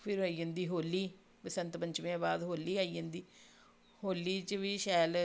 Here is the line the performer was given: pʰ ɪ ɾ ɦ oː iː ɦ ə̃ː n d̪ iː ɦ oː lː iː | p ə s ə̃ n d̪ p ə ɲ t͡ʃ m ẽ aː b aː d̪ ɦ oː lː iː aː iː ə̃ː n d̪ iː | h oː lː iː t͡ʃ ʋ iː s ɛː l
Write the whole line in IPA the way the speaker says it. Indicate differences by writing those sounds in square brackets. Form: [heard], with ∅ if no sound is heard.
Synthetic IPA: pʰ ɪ ɾ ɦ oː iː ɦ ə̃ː n d̪ iː ɦ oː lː iː | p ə s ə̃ n [t̪] p ə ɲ t͡ʃ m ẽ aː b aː d̪ ɦ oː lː iː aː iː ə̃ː n d̪ iː | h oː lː iː t͡ʃ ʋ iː [ʃ] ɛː l